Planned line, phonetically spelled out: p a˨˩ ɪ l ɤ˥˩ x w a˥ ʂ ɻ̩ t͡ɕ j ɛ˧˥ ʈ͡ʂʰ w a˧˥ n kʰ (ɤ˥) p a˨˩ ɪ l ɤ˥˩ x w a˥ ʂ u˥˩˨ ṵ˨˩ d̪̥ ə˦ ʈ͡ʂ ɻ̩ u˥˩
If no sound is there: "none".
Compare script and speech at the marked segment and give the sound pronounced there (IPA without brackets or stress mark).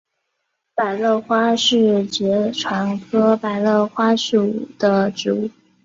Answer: ɤ˥